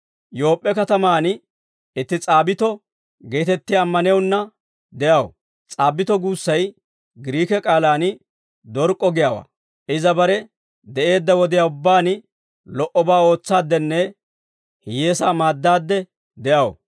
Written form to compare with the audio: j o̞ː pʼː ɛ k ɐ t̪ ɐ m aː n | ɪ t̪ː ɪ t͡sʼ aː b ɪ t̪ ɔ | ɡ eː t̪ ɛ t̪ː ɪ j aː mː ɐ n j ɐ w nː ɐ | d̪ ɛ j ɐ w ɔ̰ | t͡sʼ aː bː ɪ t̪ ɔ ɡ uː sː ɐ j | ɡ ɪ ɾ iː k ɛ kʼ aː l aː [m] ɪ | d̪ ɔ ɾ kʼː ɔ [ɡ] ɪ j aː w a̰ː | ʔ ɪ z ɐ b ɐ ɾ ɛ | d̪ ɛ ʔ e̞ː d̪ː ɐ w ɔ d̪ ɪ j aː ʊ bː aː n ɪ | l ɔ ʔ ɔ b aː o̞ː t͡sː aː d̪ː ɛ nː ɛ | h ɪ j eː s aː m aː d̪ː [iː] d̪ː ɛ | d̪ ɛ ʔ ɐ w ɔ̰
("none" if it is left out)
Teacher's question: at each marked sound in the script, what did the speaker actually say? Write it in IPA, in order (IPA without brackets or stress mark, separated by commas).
n, ɡ, aː